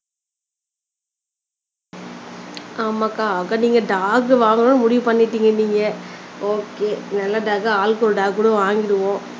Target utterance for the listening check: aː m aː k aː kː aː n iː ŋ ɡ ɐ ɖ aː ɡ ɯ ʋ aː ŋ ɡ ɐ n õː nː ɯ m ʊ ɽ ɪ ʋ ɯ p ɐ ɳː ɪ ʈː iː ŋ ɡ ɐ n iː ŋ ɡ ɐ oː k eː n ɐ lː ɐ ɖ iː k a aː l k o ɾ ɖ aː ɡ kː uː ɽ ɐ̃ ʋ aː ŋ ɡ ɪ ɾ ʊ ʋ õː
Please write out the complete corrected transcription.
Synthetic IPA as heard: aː m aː k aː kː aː n iː ŋ ɡ ɐ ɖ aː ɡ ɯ ʋ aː ŋ ɡ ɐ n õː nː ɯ m ʊ ɽ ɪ ʋ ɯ p ɐ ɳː ɪ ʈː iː ŋ ɡ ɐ n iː ŋ ɡ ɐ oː k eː n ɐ lː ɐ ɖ aː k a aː l k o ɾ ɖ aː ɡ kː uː ɽ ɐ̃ ʋ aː ŋ ɡ ɪ ɾ ɯ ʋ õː